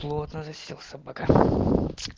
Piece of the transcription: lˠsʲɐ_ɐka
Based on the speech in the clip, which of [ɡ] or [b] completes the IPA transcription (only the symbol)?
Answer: b